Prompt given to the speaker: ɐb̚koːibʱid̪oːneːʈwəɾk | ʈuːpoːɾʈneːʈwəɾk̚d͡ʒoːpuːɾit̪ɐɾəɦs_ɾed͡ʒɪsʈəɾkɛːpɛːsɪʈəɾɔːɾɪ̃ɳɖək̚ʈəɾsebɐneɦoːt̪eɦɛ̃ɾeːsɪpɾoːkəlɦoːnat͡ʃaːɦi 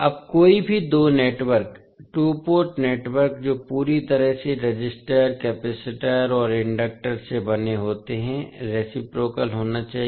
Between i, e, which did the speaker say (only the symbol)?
e